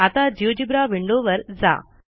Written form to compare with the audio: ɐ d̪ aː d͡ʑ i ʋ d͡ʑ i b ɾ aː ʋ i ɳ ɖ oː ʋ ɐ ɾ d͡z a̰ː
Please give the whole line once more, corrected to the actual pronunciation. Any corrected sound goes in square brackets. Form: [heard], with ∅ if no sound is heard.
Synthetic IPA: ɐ [t̪] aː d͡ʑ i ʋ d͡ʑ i b ɾ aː ʋ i ɳ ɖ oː ʋ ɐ ɾ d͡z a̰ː